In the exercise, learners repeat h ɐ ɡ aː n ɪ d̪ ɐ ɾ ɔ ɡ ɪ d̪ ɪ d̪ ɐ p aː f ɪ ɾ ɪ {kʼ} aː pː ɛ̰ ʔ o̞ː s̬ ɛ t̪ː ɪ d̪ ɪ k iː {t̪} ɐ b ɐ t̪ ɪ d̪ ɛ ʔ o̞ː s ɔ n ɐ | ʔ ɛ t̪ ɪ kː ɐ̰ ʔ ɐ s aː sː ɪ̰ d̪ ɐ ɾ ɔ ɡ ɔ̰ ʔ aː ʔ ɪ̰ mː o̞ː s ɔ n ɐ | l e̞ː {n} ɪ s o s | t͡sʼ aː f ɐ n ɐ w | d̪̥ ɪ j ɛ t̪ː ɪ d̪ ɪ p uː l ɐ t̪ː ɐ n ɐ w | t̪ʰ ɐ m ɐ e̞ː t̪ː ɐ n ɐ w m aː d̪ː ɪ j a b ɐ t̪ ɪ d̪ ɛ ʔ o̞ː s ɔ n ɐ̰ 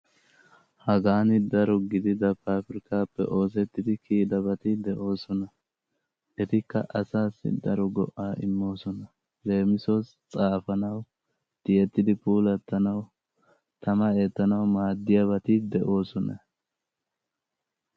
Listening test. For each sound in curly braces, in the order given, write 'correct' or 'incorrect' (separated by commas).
incorrect, incorrect, incorrect